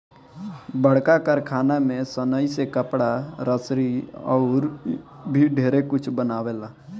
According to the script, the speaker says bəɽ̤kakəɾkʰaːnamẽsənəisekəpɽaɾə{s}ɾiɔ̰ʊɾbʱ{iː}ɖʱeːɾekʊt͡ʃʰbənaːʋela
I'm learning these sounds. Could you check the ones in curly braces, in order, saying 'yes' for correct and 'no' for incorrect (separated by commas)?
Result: yes, no